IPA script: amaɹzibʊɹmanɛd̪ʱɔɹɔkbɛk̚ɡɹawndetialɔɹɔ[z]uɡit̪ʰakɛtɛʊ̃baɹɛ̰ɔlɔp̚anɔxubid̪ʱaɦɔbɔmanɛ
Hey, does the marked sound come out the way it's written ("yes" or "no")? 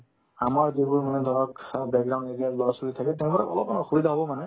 no